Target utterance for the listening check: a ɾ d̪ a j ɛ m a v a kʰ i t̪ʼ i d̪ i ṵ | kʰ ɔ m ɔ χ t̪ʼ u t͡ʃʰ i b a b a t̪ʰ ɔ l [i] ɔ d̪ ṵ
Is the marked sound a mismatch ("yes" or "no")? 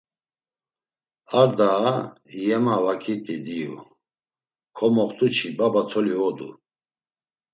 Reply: no